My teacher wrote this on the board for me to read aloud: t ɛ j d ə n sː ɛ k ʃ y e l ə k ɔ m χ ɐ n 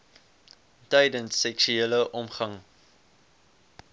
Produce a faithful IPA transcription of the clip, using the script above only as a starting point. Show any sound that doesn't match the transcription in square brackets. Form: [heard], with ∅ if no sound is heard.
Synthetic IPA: t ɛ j d ə n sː ɛ k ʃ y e l ə [ʔ] ɔ m χ ɐ [ŋ]